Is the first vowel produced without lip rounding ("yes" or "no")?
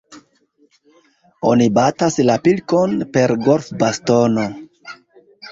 no